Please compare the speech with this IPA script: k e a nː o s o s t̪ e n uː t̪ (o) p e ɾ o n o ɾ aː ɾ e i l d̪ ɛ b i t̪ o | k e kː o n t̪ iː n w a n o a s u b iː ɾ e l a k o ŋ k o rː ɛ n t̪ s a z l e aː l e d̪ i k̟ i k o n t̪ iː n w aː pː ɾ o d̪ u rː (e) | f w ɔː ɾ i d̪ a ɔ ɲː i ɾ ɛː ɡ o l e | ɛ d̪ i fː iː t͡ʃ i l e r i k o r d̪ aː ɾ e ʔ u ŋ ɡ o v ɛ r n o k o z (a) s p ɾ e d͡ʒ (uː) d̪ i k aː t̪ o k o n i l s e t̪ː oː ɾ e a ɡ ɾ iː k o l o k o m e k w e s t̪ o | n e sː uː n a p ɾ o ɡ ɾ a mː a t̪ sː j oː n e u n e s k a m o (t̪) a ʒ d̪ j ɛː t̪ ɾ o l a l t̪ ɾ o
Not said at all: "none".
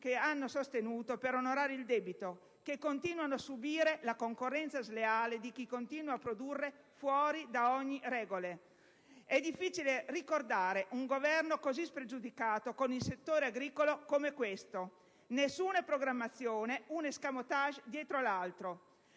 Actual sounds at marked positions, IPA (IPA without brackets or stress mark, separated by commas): o, e, i, u, t̪